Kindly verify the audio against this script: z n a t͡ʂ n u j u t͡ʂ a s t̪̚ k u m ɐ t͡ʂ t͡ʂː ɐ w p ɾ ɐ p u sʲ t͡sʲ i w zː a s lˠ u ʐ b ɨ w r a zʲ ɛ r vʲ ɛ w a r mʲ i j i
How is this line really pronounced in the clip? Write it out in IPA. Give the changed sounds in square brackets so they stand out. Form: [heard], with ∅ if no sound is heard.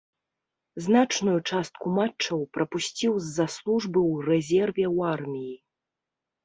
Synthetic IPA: z n a t͡ʂ n u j u t͡ʂ a s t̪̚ k u m [a] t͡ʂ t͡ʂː ɐ w p ɾ ɐ p u sʲ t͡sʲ i w zː a s lˠ u ʐ b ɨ w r [ɛ] zʲ ɛ r vʲ ɛ w a r mʲ i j i